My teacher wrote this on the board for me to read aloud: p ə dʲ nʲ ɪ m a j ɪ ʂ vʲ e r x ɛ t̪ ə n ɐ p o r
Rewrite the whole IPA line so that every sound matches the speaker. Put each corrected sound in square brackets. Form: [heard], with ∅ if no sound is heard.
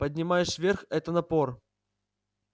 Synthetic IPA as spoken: p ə dʲ nʲ ɪ m a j ɪ ʂ vʲ e r x ɛ t̪ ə n ɐ p o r